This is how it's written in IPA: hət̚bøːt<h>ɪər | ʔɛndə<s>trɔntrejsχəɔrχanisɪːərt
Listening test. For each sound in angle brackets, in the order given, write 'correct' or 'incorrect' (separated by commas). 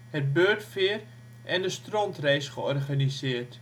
incorrect, correct